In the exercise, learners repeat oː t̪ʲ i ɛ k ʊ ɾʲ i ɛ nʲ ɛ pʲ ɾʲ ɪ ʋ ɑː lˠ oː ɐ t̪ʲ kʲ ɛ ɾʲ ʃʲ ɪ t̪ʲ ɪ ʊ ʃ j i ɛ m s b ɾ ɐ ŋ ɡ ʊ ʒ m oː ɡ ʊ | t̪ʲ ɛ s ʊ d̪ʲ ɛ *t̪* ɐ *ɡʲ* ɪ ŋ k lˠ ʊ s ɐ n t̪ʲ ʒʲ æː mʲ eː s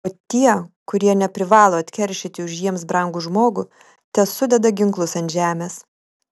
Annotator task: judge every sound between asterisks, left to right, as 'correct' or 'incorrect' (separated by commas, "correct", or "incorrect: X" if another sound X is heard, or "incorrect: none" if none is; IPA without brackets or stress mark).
incorrect: d̪, correct